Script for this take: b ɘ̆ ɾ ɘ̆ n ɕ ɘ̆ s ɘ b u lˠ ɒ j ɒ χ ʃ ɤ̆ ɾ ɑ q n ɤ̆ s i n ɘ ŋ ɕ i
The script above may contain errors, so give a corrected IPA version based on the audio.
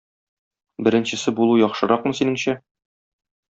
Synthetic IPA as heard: b ɘ̆ ɾ ɘ̆ n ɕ ɘ̆ s ɘ b u lˠ u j ɒ χ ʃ ɤ̆ ɾ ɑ q m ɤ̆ s i n ɘ ŋ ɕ æ